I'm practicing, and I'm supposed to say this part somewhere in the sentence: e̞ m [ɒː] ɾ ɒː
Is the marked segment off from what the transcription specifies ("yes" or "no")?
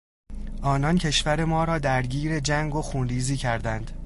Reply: no